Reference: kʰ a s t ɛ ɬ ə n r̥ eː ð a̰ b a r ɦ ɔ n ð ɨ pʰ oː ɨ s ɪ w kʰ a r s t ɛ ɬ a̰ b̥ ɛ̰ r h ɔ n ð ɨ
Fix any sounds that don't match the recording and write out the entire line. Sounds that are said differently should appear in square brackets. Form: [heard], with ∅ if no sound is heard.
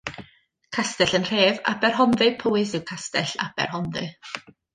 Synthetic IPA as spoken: kʰ a s t ɛ ɬ ə n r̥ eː [v] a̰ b [ɛ] r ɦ ɔ n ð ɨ pʰ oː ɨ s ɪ w kʰ a [∅] s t ɛ ɬ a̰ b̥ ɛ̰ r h ɔ n ð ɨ